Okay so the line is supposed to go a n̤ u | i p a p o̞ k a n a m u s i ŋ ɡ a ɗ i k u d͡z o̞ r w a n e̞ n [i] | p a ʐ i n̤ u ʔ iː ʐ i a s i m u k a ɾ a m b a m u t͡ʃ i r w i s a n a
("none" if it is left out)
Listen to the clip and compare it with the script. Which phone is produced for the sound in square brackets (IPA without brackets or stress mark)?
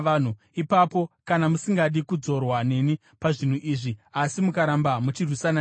i